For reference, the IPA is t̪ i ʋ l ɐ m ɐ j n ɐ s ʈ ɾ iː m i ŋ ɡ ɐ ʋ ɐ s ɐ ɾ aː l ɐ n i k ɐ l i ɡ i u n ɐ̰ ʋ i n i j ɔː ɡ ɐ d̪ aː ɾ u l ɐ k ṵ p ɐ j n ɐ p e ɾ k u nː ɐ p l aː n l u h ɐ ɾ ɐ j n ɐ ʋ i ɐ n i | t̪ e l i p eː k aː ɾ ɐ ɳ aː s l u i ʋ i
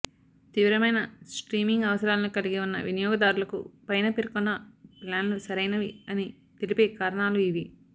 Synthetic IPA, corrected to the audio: t̪ i ʋ ɾ ɐ m ɐ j n ɐ s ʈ ɾ iː m i ŋ ɡ ɐ ʋ ɐ s ɐ ɾ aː l ɐ n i k ɐ l i ɡ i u nː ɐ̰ ʋ i n i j ɔː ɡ ɐ d̪ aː ɾ u l ɐ k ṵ p ɐ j n ɐ p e ɾ k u nː ɐ p l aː n l u s ɐ ɾ ɐ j n ɐ ʋ i ɐ n i | t̪ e l i p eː k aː ɾ ɐ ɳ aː l u i ʋ i